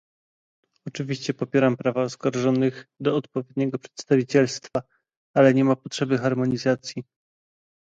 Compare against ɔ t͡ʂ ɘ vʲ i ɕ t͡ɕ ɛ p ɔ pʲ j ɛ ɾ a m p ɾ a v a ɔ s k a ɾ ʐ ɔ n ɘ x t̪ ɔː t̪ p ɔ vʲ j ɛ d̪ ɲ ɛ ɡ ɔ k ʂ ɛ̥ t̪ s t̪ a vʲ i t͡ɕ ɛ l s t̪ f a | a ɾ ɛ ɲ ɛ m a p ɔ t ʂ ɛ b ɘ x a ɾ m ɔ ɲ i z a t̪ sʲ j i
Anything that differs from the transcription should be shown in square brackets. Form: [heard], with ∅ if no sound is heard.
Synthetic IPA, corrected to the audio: ɔ t͡ʂ ɘ vʲ i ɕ t͡ɕ ɛ p ɔ pʲ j ɛ ɾ a m p ɾ a v a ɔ s k a ɾ ʐ ɔ n ɘ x [d̪] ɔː t̪ p ɔ vʲ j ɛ d̪ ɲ ɛ ɡ ɔ [p] ʂ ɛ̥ t̪ s t̪ a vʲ i t͡ɕ ɛ l s t̪ f a | a [l] ɛ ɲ ɛ m a p ɔ t ʂ ɛ b ɘ x a ɾ m ɔ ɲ i z a t̪ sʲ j i